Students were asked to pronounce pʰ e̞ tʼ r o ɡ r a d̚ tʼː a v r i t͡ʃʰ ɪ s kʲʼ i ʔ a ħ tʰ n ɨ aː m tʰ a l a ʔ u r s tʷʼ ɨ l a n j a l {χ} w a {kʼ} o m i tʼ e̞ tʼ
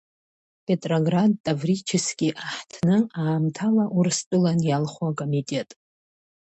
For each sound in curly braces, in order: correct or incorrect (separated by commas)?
correct, correct